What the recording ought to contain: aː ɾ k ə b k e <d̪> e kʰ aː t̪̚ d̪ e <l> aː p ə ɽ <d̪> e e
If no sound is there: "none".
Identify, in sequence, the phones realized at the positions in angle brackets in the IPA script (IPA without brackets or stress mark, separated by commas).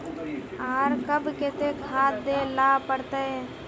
t̪, l, t̪